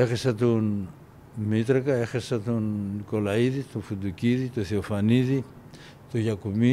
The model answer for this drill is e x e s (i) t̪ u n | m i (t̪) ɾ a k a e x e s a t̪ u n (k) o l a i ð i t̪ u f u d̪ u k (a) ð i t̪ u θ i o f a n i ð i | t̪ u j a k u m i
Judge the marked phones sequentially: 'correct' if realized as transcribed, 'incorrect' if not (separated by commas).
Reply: incorrect, correct, correct, incorrect